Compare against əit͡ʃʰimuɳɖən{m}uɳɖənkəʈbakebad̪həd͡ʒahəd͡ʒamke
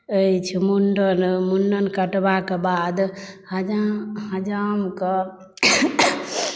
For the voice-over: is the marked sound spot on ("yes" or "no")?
yes